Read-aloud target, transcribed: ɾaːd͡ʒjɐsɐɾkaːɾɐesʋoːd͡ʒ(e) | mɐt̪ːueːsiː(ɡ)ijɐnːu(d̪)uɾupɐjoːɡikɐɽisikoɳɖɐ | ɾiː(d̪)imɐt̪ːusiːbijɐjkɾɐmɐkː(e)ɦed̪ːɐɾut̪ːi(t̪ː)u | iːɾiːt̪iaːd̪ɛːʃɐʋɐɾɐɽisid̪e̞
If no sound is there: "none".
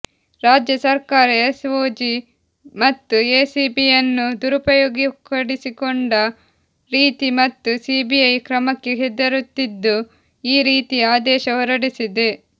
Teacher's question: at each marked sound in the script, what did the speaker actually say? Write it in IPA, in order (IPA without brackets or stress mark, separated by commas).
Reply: i, b, d̪, t̪, e, d̪ː